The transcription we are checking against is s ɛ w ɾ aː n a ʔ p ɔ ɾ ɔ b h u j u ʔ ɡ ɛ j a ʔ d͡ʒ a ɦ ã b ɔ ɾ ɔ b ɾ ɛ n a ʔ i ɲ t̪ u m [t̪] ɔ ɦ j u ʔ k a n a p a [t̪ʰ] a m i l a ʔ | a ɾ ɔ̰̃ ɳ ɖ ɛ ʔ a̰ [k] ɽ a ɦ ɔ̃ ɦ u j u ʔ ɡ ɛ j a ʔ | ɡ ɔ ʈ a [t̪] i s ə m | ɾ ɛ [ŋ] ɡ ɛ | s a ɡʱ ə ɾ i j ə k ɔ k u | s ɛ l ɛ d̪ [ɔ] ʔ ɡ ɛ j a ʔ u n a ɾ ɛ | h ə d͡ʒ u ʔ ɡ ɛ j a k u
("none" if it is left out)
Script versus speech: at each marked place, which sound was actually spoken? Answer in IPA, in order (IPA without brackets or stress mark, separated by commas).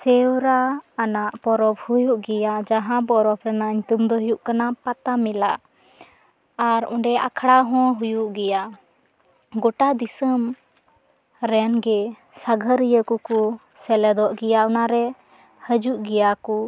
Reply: d̪, t̪, kʰ, d̪, n, ɔ